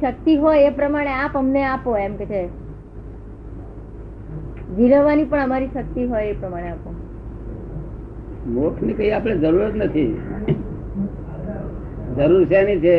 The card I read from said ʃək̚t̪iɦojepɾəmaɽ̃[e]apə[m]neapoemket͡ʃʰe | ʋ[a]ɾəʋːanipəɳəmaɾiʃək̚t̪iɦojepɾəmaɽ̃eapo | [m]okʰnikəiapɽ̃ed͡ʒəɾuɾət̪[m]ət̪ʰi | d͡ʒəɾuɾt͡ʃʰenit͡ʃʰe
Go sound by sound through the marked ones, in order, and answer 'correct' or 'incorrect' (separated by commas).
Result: correct, correct, incorrect, correct, incorrect